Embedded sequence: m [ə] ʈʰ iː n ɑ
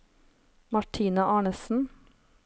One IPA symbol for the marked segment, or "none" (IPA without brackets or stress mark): ɑ